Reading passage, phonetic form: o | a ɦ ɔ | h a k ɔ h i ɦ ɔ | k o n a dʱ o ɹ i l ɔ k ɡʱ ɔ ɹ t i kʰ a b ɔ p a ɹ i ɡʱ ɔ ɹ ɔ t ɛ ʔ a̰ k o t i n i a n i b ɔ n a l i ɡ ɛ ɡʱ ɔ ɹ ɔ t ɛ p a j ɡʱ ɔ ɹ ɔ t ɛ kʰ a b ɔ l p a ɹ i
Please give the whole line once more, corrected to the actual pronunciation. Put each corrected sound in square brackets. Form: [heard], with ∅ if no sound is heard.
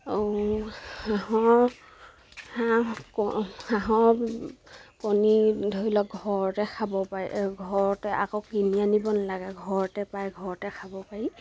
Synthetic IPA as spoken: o | a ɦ ɔ | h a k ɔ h [a] ɦ ɔ | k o n [i] dʱ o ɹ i l ɔ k ɡʱ ɔ ɹ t [ɛ] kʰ a b ɔ p a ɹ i ɡʱ ɔ ɹ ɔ t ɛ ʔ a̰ k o [k] i n i a n i b ɔ n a l [a] ɡ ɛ ɡʱ ɔ ɹ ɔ t ɛ p a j ɡʱ ɔ ɹ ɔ t ɛ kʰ a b ɔ [∅] p a ɹ i